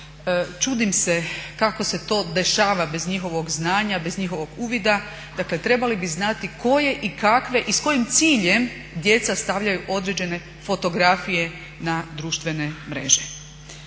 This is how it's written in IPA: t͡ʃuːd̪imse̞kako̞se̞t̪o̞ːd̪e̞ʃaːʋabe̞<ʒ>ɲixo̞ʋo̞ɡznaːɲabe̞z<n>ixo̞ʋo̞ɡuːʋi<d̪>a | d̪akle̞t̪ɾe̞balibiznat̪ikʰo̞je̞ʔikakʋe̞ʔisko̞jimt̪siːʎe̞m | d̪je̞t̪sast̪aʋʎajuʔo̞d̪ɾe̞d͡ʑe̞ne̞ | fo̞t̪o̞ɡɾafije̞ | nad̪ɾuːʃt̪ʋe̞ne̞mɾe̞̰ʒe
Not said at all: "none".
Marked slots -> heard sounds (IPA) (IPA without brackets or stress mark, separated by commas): z, ɲ, d̪